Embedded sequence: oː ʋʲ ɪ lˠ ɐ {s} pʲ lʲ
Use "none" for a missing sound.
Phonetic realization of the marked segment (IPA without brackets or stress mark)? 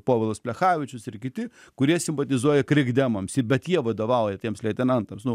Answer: s